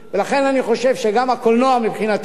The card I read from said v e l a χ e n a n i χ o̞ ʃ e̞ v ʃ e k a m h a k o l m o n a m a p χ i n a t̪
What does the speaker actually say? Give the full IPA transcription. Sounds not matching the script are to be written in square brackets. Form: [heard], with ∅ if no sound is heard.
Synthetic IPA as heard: v e l a χ e n a n i χ o̞ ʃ e̞ v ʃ e [ɡ] a m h a k o l [n] o [∅] a m [i] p χ i n a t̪